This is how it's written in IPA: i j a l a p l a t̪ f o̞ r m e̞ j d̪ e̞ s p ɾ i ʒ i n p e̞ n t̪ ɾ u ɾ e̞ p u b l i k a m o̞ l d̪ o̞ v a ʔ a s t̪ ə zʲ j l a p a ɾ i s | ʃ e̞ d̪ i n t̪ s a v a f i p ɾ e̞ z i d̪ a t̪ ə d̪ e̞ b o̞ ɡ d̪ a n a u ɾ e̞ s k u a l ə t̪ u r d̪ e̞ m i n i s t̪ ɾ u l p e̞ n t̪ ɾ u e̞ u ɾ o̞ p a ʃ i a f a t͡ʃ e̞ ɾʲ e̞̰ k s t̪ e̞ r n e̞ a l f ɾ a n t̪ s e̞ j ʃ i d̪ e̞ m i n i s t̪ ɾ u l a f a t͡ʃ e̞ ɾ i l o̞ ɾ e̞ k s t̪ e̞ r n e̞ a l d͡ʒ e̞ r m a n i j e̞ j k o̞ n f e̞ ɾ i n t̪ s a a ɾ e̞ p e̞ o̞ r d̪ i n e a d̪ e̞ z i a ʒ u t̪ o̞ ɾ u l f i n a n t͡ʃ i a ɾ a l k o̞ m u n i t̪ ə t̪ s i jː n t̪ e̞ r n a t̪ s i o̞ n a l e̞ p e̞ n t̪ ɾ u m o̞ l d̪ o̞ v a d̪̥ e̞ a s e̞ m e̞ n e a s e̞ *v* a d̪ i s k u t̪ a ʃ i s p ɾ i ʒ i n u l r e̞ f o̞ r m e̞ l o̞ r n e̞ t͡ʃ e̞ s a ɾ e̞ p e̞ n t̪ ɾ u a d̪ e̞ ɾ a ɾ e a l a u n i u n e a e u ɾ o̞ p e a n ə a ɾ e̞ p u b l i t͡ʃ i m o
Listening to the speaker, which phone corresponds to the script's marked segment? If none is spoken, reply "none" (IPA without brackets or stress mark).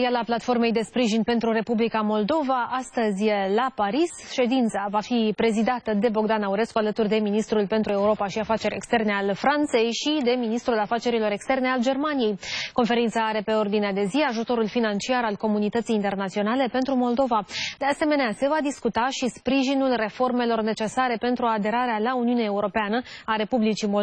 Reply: v